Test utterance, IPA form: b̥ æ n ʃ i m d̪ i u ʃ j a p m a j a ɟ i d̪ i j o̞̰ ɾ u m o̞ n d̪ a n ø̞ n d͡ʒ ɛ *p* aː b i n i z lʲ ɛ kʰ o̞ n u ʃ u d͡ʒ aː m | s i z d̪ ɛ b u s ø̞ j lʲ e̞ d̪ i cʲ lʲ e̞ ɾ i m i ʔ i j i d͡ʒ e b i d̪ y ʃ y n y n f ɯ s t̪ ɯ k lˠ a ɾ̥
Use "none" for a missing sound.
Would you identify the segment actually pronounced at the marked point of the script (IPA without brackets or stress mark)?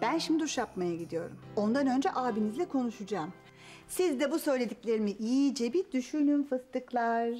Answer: ʔ